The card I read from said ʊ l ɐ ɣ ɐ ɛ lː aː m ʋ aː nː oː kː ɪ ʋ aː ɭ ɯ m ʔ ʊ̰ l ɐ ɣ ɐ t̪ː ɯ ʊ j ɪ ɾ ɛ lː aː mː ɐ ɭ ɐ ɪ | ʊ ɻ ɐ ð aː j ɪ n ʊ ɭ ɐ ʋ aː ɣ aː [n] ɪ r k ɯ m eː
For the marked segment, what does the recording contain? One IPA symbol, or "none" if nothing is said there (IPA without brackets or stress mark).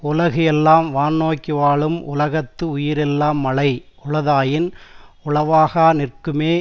n